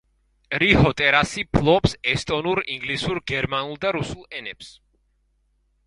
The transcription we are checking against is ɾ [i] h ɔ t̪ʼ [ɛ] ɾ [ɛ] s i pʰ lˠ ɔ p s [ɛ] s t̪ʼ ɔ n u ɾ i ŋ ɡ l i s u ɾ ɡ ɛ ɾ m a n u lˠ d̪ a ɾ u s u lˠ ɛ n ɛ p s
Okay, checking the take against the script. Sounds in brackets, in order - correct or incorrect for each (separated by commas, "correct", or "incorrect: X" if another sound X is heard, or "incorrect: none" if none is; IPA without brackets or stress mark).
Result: correct, correct, incorrect: a, correct